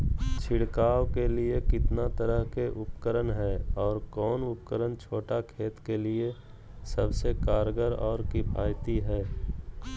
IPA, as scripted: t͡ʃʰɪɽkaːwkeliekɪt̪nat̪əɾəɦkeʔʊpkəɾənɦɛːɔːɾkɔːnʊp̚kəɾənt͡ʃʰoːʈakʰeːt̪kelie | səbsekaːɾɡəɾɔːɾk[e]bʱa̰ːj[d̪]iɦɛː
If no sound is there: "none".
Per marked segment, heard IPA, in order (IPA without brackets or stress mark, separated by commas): i, t̪